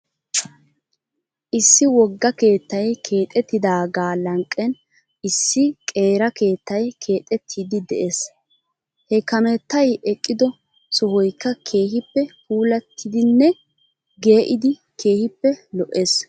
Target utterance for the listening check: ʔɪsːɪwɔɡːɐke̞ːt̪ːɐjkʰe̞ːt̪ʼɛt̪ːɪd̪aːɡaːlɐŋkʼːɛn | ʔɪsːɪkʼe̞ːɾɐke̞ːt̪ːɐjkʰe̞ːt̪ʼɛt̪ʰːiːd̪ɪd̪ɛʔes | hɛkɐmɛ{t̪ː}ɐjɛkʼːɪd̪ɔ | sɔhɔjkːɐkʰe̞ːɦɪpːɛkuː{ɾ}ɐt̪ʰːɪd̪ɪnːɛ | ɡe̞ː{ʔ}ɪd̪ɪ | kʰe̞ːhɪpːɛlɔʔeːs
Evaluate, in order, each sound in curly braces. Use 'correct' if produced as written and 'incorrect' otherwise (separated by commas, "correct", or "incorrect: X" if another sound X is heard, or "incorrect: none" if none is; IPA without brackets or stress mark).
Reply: correct, incorrect: l, correct